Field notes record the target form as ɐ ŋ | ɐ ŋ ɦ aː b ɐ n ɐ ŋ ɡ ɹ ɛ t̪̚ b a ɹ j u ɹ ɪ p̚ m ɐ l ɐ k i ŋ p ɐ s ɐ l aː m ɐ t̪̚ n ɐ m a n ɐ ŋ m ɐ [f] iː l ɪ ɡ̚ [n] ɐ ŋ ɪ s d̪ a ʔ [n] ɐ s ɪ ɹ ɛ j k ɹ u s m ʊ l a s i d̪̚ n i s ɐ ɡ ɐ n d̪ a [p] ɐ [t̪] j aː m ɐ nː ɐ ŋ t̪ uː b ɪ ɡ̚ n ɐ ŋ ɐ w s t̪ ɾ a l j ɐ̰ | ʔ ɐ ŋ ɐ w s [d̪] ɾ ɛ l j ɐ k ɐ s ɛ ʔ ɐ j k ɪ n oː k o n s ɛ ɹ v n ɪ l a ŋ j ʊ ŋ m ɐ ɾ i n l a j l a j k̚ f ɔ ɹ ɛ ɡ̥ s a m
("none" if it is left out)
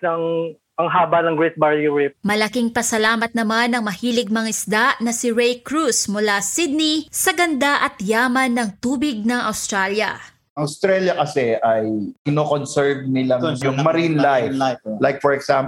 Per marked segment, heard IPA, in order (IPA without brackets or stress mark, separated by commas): h, m, n, ʔ, t̪, t̪